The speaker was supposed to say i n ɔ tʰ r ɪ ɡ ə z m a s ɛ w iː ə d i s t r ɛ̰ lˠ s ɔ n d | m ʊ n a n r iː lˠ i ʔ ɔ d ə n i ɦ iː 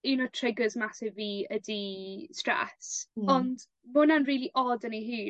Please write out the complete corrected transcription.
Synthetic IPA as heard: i n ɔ tʰ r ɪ ɡ ə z m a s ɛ v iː ə d i s t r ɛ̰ s ɔ n d | m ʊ n a n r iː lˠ i ʔ ɔ d ə n i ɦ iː

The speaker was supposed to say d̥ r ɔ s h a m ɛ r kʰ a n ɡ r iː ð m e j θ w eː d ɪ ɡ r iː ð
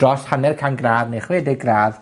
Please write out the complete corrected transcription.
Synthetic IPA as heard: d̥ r ɔ s h a n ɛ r kʰ a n ɡ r aː ð n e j χ w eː d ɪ ɡ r aː ð

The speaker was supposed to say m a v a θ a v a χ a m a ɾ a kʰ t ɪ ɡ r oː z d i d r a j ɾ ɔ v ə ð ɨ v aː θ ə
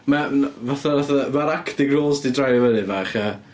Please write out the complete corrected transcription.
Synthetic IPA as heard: m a v a θ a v a θ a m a ɾ a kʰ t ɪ ɡ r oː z d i d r a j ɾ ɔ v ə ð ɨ v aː χ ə

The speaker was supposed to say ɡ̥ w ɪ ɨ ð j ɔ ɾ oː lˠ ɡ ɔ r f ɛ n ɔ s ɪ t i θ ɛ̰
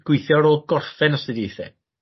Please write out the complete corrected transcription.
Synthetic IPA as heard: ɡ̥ w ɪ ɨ θ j ɔ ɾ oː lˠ ɡ ɔ r f ɛ n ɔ s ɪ d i θ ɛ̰

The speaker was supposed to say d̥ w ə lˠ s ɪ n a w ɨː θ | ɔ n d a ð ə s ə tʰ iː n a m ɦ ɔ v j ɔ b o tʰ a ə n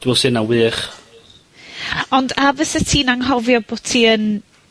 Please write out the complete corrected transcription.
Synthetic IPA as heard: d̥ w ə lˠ s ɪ n a w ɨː χ | ɔ n d a v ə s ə tʰ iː n a ŋ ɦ ɔ v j ɔ b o tʰ i ə n

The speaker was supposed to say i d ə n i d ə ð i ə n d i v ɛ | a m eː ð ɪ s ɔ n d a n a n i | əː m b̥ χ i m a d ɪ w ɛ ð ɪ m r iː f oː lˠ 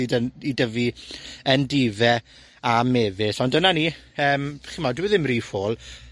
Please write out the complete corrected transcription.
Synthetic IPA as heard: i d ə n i d ə v i ə n d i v ɛ | a m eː v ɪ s ɔ n d ə n a n i | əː m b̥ χ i m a d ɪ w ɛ ð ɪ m r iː f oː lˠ

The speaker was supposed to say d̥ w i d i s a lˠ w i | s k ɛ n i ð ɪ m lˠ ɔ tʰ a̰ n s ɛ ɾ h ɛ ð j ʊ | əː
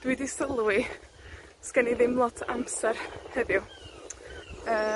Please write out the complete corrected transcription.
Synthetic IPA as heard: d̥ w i d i s ə lˠ w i | s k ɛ n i ð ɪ m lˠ ɔ tʰ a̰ m s ɛ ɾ h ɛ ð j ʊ | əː

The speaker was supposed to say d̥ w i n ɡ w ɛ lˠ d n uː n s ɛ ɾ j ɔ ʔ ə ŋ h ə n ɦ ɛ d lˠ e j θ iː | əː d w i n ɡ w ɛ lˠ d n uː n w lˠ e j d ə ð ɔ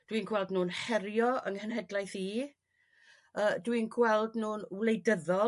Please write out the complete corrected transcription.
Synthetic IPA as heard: d̥ w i n ɡ w ɛ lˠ d n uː n h ɛ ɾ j ɔ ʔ ə ŋ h ə n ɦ ɛ d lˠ a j θ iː | əː d w i n ɡ w ɛ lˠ d n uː n w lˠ e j d ə ð ɔ

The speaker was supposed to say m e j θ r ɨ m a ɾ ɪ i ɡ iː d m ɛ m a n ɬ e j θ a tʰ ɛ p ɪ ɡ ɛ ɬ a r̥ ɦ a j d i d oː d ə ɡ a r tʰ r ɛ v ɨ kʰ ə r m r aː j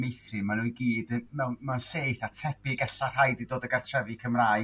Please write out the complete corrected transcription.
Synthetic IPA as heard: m e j θ r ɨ m a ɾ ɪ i ɡ iː d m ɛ m a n ɬ e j θ a tʰ ɛ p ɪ ɡ ɛ ɬ a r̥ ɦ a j d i d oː d ə ɡ a r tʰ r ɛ v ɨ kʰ ə m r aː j

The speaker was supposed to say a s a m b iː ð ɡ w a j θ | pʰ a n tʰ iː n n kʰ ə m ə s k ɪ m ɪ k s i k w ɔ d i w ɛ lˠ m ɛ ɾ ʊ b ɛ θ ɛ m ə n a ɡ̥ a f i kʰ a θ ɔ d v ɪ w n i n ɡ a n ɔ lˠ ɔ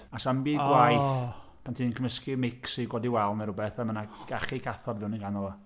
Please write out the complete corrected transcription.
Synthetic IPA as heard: a s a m b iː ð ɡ w a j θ | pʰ a n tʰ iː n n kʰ ə m ə s k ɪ m ɪ k s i ɡ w ɔ d i w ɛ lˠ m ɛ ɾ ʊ b ɛ θ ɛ m ə n a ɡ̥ a χ i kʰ a θ ɔ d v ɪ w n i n ɡ a n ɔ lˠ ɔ

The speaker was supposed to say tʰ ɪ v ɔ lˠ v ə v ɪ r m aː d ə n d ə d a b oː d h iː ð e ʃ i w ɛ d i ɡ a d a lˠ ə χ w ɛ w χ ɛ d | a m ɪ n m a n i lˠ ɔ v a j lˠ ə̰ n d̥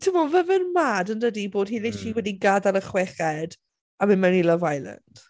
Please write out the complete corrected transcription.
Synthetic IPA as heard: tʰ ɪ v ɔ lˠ v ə v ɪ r m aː d ə n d ə d i b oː d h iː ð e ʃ i w ɛ d i ɡ a d a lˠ ə χ w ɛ χ ɛ d | a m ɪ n m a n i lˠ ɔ v a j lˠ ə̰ n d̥

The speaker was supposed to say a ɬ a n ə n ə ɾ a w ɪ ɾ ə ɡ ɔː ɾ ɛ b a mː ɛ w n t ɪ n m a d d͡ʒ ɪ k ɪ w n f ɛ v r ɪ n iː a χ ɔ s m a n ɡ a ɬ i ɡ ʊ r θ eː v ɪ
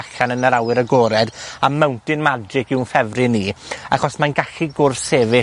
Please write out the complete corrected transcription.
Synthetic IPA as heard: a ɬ a n ə n ə ɾ a w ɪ ɾ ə ɡ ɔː ɾ ɛ d a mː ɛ w n t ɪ n m a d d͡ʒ ɪ k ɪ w n f ɛ v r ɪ n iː a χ ɔ s m a n ɡ a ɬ i ɡ ʊ r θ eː v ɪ

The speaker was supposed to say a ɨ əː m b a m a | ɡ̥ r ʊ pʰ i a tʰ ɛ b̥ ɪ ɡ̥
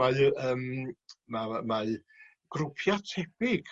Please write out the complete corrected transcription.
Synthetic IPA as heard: a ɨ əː m m a m a | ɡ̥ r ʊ pʰ j a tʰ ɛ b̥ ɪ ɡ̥

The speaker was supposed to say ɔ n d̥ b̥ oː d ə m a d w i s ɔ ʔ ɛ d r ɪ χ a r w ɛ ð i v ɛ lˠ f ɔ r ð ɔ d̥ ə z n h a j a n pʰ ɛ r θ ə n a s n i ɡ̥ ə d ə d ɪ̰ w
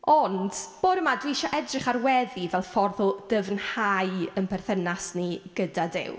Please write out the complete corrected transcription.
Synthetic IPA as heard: ɔ n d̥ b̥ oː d ə m a d w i ʃ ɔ ʔ ɛ d r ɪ χ a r w ɛ ð i v ɛ lˠ f ɔ r ð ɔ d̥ ə v n h a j ə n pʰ ɛ r θ ə n a s n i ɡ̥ ə d a d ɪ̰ w

